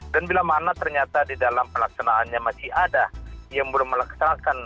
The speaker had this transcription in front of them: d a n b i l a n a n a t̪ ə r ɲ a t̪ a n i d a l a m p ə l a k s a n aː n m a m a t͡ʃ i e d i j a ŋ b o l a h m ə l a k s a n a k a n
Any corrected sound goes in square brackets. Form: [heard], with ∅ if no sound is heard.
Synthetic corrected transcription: d a n b i l a [m] a n a t̪ ə r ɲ a t̪ a [d] i d a l a m p ə l a k s a n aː n [ɲ] a m a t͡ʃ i [a] d [a] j a ŋ b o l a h m ə l a k s a n a k a n